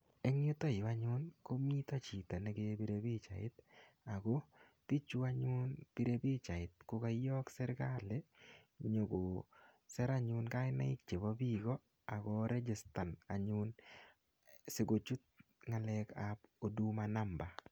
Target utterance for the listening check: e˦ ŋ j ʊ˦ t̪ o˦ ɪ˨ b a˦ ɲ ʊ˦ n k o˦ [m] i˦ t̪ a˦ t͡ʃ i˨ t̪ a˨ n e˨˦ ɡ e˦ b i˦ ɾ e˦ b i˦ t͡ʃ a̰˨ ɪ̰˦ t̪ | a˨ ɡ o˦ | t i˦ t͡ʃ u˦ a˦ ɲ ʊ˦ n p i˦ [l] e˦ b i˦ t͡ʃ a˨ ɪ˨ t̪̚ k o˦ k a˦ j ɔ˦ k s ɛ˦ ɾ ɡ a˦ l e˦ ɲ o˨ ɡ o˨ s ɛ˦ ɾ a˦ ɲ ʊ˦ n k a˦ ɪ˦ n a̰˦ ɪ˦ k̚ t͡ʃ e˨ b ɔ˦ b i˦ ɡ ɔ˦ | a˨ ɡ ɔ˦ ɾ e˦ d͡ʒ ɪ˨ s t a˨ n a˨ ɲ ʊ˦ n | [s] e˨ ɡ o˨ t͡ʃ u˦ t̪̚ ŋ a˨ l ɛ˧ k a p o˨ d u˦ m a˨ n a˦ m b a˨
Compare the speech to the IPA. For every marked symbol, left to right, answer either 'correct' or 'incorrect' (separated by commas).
correct, incorrect, correct